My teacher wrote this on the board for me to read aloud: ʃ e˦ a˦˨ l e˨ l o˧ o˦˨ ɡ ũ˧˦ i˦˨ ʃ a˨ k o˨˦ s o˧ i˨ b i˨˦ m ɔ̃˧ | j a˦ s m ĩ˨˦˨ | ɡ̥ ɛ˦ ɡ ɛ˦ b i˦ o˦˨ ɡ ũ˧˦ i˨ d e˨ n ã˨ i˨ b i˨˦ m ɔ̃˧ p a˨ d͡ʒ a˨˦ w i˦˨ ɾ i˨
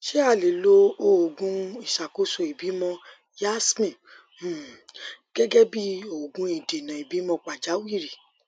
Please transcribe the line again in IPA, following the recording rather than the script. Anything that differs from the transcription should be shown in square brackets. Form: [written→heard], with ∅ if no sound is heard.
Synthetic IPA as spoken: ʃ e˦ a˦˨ l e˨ l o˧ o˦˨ ɡ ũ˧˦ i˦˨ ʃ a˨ k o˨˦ s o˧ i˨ b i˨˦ m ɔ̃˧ | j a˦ s m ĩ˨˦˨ | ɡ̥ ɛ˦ ɡ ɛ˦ b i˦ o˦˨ ɡ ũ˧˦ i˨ d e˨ n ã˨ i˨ b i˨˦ m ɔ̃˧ [p→k͡p] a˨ d͡ʒ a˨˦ w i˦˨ ɾ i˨